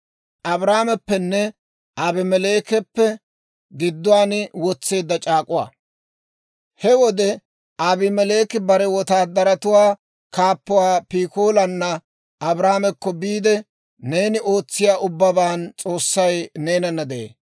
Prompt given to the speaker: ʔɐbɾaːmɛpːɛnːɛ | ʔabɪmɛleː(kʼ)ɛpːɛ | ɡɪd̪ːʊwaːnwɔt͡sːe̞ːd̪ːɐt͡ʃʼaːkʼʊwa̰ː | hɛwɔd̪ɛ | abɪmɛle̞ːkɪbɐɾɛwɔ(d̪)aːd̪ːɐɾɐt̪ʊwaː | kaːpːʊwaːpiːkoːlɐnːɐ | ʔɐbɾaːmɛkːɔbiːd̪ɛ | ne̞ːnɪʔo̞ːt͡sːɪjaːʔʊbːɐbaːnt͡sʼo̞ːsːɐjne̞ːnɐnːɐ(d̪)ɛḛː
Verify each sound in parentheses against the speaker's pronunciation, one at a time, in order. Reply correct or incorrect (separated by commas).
incorrect, incorrect, correct